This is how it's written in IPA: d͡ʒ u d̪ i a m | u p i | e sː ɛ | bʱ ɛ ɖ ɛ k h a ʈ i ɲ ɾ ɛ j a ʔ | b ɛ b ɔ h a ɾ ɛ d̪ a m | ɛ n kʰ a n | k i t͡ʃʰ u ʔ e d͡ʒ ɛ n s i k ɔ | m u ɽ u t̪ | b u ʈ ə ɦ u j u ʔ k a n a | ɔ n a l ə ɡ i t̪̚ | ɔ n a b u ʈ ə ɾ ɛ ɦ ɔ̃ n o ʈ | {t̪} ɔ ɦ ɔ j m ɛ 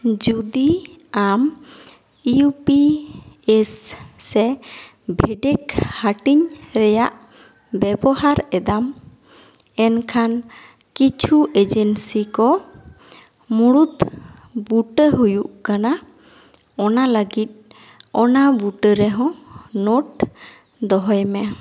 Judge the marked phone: incorrect: d̪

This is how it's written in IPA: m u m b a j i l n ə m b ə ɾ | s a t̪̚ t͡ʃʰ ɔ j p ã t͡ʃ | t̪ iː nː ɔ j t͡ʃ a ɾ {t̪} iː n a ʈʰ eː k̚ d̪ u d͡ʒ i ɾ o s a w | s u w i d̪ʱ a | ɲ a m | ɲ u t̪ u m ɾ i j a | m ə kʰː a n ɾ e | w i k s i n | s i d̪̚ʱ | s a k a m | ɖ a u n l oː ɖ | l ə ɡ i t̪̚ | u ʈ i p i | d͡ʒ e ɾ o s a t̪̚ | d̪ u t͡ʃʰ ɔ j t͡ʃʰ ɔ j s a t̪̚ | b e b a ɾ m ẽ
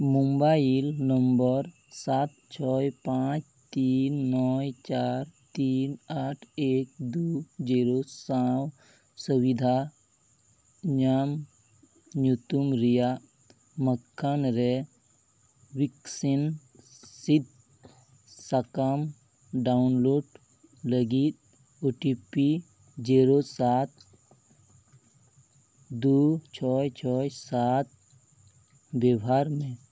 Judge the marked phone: correct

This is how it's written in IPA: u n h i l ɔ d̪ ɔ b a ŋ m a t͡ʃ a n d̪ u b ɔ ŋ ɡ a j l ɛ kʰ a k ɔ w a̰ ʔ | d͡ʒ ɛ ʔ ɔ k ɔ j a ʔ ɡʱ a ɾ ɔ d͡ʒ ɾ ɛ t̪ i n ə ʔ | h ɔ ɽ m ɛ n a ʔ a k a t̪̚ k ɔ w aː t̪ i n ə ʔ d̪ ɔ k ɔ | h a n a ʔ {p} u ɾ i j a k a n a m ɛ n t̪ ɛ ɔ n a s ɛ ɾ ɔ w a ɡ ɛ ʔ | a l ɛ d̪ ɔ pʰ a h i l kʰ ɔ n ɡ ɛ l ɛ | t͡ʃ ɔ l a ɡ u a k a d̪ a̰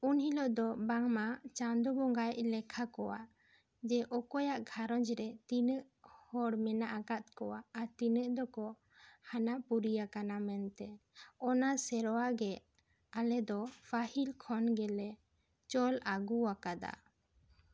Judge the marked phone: correct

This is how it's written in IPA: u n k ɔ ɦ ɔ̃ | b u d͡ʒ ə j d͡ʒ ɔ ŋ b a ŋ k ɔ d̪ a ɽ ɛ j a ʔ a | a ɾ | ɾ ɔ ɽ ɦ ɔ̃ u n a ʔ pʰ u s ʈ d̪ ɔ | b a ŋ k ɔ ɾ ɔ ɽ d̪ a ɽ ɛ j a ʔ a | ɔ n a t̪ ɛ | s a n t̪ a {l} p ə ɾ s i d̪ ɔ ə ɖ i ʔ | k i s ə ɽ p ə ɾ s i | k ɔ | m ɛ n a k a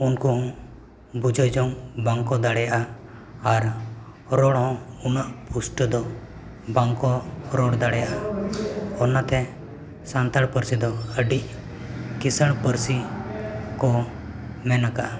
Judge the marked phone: incorrect: ɽ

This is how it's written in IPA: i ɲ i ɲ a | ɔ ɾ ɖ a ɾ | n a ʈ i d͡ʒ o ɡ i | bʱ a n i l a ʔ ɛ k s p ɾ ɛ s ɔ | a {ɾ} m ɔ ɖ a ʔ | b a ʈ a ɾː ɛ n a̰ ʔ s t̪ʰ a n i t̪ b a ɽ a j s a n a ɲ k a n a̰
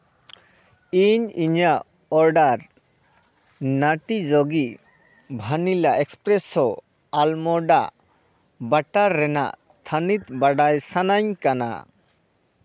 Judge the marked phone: incorrect: l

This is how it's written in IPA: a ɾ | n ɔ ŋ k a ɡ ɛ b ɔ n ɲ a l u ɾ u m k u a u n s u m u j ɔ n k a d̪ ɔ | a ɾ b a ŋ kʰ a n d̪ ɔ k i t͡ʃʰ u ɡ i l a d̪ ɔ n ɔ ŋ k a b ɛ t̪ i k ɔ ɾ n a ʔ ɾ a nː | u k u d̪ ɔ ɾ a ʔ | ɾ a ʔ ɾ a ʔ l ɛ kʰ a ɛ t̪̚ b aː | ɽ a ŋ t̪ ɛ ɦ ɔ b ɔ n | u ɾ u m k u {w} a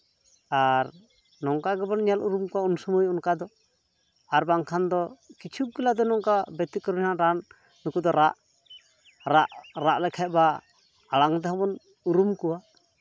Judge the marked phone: correct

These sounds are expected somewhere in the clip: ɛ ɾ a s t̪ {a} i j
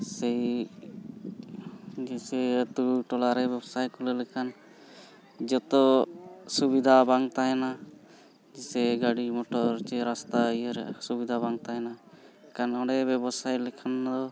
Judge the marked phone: correct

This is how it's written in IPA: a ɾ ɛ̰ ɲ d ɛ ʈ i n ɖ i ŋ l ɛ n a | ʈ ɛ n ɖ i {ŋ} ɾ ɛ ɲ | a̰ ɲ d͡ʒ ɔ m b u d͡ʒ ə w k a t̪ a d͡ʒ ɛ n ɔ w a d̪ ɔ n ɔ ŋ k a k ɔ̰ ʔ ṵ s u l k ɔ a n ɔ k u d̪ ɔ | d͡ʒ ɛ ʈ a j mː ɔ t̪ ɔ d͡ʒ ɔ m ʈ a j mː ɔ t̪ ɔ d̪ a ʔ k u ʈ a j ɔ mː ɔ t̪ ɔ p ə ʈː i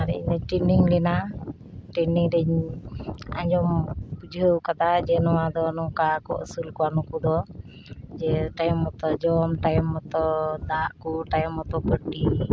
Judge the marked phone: correct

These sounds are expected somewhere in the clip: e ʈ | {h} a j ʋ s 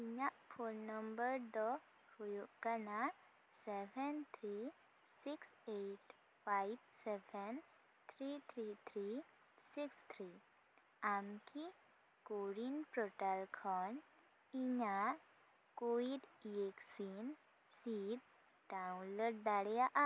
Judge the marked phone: incorrect: f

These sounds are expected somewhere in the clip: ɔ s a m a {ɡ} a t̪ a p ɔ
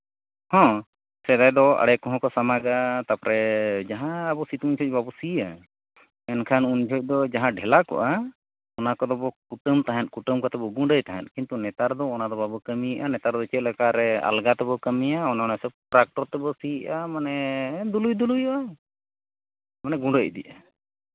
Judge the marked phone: correct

